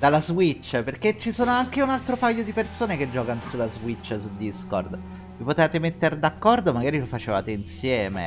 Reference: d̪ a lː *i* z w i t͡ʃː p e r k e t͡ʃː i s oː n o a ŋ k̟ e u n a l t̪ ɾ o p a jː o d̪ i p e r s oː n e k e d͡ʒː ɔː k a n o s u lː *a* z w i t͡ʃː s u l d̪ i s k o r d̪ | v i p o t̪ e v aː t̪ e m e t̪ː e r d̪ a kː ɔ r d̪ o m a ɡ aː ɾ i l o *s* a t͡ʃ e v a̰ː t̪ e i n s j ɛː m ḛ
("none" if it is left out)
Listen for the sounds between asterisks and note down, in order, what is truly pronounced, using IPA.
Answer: a, a, f

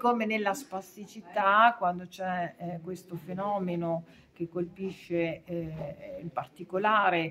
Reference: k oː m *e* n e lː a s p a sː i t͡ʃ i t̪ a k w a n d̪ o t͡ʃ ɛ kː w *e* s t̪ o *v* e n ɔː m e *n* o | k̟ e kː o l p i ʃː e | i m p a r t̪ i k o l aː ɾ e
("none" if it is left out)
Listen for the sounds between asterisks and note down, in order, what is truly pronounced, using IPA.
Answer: e, e, f, n

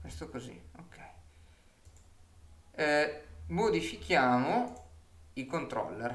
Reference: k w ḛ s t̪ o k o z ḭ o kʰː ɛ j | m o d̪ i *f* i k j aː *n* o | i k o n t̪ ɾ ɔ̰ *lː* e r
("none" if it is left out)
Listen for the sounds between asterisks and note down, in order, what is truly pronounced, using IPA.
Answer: f, m, lː

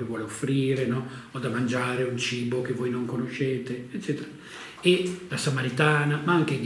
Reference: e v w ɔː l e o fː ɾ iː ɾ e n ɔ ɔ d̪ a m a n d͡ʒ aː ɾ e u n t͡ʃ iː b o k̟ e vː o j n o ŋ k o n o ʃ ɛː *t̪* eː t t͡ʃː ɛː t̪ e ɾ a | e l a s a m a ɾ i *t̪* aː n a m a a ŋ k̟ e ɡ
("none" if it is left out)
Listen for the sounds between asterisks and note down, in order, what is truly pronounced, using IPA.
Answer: t̪, t̪

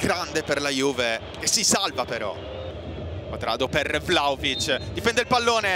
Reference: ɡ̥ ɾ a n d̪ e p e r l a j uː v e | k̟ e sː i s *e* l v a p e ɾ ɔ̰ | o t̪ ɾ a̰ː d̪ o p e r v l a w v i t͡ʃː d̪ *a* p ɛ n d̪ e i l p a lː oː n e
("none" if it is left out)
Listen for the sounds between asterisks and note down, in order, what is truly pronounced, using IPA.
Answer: a, i

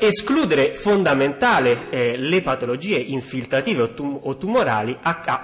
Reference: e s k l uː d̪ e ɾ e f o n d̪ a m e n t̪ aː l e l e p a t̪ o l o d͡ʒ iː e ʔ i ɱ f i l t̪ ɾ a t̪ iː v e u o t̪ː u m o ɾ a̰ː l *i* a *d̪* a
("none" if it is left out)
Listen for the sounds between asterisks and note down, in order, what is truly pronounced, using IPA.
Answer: i, none

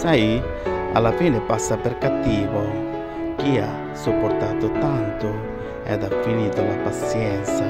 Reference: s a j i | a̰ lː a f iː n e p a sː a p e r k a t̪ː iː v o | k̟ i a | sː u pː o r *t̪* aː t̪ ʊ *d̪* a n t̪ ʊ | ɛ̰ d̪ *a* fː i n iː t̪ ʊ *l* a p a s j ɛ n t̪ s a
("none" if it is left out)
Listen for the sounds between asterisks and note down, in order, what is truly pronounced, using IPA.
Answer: t̪, t̪, a, l

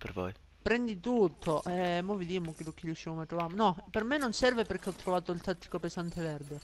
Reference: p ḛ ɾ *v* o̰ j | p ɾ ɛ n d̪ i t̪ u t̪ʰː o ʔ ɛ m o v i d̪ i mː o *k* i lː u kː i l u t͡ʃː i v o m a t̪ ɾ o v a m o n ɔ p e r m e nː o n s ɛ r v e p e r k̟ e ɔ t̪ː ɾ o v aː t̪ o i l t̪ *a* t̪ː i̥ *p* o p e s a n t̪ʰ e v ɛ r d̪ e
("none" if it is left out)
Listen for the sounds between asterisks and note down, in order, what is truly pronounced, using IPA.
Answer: v, k, a, k

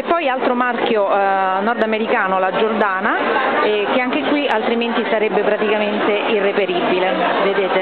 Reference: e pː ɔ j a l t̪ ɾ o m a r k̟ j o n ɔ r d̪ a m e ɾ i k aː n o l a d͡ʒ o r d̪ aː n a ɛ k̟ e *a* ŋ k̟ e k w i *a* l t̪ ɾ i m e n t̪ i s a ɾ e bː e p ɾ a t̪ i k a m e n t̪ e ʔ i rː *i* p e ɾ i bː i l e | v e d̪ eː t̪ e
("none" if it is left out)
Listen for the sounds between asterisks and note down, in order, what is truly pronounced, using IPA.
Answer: a, a, e

